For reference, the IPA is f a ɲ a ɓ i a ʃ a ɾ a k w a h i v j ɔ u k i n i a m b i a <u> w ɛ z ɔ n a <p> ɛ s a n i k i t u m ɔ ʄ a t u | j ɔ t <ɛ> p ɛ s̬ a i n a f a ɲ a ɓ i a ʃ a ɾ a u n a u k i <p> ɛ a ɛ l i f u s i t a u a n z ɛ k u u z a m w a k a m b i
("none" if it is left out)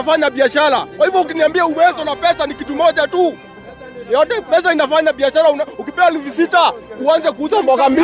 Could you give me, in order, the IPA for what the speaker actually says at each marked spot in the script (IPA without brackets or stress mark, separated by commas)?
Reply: u, p, ɛ, p